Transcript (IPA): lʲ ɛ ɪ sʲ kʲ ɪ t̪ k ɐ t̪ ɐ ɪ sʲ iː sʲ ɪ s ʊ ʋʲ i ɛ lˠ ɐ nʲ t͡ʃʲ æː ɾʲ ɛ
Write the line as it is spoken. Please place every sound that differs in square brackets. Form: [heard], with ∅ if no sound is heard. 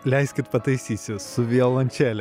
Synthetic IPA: lʲ ɛ ɪ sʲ kʲ ɪ t̪ [p] ɐ t̪ ɐ ɪ sʲ iː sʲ ɪ s ʊ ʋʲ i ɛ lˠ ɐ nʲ t͡ʃʲ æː [lʲ] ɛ